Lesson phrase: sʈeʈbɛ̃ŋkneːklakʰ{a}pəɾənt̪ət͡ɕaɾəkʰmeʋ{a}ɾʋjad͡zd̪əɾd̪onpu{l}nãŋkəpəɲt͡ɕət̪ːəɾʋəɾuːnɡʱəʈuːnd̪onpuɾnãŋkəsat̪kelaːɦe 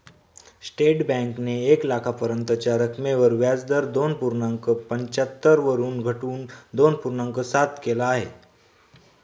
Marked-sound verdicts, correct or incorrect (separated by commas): correct, incorrect, incorrect